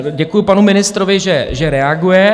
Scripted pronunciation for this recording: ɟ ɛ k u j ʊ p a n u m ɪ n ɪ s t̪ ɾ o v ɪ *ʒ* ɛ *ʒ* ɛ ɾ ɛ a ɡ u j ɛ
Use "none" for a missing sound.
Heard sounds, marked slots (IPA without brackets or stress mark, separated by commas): ʒ, ʒ